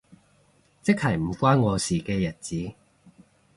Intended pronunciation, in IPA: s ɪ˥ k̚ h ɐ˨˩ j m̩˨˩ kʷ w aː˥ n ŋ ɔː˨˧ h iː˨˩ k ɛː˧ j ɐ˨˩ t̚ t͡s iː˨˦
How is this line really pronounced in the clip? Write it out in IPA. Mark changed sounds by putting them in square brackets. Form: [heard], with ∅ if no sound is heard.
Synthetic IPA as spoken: [t͡s] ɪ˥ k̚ h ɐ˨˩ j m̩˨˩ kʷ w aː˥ n ŋ ɔː˨˧ [s] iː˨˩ k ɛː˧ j ɐ˨˩ t̚ t͡s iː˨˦